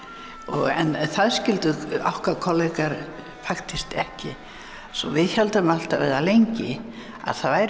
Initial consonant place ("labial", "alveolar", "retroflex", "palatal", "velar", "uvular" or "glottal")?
velar